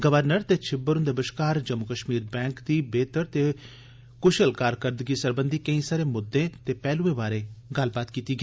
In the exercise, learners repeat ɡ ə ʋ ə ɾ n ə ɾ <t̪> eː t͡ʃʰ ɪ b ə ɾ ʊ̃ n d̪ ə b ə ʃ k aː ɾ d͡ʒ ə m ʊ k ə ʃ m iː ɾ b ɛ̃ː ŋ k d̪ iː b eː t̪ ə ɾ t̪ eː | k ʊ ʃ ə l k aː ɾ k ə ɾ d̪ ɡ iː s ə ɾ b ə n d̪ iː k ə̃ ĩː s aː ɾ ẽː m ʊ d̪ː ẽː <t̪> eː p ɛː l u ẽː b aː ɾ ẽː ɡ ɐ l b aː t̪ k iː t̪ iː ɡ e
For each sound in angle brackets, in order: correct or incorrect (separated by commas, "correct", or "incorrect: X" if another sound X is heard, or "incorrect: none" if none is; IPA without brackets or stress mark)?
correct, correct